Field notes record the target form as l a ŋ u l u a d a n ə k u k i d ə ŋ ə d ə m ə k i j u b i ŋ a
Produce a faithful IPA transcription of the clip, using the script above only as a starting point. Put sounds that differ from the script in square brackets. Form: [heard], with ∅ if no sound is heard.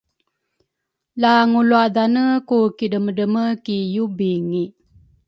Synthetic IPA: l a ŋ u l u a d a n ə k u k i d ə [m] ə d ə m ə k i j u b i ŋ [i]